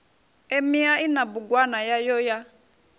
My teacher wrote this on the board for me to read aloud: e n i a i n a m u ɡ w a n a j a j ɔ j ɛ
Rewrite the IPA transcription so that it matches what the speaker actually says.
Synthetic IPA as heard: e m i a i n a b u ɡ w a n a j a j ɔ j a